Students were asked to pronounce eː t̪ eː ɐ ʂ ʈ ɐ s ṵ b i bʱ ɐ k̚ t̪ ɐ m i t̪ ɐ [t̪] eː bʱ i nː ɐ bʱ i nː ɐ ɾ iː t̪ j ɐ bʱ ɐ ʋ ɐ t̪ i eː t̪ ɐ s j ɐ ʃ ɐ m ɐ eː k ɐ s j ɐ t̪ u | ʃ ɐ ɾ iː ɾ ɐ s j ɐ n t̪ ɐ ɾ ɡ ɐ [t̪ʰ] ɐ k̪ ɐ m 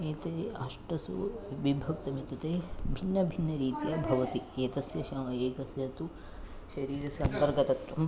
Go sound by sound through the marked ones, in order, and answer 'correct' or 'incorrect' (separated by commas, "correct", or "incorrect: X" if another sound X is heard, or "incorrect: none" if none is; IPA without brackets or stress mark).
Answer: correct, incorrect: t̪